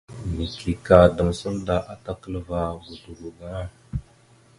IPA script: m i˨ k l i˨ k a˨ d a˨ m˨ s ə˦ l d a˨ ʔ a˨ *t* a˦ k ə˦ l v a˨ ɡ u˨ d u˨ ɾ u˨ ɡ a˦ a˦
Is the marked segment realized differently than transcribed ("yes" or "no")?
no